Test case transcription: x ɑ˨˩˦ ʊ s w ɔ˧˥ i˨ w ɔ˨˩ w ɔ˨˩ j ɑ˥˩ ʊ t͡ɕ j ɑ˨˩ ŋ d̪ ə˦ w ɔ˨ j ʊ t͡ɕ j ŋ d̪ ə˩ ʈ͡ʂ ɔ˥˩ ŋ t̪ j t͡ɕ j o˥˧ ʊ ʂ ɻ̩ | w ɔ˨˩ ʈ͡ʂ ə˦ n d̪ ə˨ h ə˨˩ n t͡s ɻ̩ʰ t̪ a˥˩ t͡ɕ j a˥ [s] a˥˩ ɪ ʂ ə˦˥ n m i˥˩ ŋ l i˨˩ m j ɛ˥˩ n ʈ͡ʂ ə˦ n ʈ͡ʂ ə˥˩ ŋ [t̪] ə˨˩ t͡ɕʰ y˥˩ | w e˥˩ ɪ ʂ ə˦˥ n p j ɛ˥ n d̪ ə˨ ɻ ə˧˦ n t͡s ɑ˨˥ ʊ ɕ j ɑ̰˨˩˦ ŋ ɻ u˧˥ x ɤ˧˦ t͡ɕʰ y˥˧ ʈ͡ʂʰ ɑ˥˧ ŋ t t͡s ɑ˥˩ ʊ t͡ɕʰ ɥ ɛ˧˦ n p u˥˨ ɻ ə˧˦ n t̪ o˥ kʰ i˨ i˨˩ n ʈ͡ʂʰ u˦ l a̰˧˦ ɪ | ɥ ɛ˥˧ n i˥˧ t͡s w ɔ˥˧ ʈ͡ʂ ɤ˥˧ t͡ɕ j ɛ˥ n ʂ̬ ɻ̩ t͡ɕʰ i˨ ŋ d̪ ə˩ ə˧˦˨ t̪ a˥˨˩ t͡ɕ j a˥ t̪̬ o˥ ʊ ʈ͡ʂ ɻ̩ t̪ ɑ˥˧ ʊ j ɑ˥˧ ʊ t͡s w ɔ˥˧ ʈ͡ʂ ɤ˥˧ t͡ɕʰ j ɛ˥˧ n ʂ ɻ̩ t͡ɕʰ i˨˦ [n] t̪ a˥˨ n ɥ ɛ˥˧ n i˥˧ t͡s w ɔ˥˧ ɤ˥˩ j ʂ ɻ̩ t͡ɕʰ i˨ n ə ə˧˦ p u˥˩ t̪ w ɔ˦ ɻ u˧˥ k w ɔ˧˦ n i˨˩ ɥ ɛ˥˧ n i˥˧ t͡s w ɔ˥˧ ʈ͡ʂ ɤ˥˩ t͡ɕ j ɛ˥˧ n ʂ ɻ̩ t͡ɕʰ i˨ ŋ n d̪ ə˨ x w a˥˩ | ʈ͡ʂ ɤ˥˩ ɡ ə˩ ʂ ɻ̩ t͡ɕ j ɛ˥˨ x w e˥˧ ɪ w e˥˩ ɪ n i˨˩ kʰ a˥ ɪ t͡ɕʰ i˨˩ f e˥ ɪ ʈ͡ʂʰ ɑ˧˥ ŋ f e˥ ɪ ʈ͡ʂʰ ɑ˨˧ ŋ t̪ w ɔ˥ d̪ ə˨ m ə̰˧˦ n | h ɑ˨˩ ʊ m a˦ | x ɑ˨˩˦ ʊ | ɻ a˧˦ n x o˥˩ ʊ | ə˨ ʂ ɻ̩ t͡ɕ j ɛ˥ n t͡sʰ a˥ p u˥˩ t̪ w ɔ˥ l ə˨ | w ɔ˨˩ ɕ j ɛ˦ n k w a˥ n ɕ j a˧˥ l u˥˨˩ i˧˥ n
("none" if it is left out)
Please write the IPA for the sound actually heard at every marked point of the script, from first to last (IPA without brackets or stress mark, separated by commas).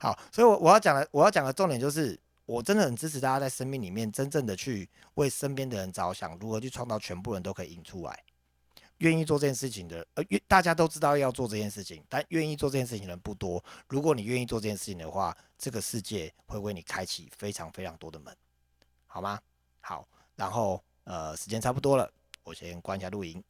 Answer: t͡s, d̪, ŋ